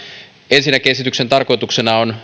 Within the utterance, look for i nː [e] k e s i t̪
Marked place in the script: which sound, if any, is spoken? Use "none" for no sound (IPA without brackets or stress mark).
æ